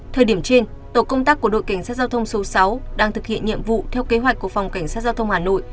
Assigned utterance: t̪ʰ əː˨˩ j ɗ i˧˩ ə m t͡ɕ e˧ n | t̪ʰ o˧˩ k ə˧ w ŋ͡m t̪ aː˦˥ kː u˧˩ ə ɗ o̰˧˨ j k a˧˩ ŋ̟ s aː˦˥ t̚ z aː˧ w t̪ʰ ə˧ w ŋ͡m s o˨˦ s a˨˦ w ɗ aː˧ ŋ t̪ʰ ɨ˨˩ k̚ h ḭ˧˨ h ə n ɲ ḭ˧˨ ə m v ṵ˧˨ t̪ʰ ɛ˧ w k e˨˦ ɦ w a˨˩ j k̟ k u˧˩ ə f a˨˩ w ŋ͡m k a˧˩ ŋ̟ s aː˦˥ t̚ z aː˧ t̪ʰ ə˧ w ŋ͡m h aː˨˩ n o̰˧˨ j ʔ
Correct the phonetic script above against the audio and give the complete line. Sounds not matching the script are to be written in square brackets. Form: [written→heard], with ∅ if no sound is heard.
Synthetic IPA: t̪ʰ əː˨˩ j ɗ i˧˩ ə m t͡ɕ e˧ n | [t̪ʰ→t̪] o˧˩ k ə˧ w ŋ͡m t̪ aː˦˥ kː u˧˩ ə ɗ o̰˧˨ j k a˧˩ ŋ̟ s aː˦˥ t̚ z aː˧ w t̪ʰ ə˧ w ŋ͡m s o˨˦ s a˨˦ w ɗ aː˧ ŋ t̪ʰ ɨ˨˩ k̚ h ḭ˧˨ [h→∅] ə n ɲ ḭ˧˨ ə m v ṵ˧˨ t̪ʰ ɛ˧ w k e˨˦ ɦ w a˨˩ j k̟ k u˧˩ ə f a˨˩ w ŋ͡m k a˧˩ ŋ̟ s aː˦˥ t̚ z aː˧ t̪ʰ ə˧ w ŋ͡m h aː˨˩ n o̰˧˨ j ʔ